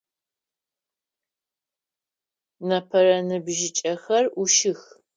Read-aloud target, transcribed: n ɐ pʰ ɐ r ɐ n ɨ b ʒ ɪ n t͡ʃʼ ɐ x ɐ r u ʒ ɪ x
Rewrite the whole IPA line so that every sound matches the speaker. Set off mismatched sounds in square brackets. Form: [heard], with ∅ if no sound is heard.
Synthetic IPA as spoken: n ɐ pʰ ɐ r ɐ n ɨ b ʒ ɪ [∅] t͡ʃʼ ɐ x ɐ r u [ʃ] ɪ x